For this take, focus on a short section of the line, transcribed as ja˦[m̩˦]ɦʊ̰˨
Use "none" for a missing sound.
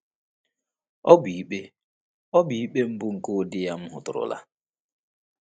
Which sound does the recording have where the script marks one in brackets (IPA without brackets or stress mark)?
m̩˦